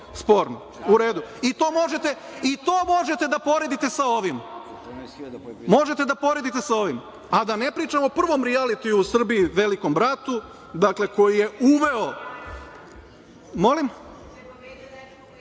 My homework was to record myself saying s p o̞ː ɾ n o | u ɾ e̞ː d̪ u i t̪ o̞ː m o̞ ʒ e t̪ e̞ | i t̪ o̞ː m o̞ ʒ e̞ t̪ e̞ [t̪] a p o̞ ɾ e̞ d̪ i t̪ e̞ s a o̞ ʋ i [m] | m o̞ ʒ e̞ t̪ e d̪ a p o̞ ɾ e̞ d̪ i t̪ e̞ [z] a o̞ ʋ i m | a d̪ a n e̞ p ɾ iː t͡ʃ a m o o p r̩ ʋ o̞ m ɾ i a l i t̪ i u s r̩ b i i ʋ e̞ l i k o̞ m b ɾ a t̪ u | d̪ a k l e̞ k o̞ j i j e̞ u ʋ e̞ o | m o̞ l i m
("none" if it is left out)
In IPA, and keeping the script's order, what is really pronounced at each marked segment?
d̪, m, s

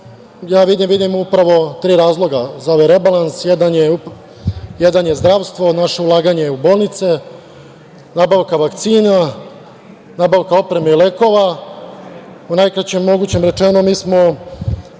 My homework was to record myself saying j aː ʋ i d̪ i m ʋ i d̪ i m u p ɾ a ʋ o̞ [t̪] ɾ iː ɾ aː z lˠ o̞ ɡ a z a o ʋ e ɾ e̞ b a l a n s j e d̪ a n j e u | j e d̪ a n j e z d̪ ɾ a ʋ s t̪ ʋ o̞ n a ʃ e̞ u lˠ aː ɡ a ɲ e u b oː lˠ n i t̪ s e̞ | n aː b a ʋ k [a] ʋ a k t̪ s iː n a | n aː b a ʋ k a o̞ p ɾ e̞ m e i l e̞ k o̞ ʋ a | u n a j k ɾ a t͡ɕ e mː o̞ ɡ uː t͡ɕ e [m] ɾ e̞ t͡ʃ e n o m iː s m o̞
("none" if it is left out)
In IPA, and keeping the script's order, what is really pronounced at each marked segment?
t̪, a, m

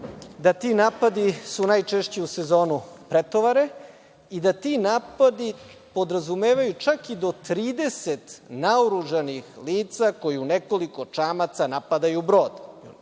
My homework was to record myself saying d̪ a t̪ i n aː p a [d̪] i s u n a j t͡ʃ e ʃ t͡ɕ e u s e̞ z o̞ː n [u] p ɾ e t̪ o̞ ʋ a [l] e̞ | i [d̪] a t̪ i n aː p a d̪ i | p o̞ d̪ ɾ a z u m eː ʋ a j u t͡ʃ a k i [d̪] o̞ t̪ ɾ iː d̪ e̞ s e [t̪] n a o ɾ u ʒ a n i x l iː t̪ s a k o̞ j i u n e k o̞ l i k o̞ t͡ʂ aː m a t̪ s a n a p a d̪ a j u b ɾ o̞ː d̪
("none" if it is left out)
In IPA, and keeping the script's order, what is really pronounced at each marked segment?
d̪, u, ɾ, d̪, d̪, t̪

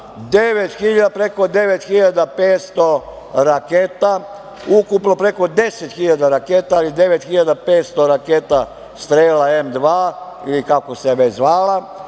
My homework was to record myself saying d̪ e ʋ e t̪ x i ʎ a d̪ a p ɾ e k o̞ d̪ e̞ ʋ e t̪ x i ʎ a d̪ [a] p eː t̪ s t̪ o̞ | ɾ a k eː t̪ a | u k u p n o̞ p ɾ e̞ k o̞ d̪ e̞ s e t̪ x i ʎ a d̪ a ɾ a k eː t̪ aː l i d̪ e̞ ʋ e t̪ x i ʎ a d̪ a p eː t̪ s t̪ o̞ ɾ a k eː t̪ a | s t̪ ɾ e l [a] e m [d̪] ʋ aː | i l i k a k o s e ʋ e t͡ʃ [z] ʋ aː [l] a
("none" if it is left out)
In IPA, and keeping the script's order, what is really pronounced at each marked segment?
a, a, d̪, z, l

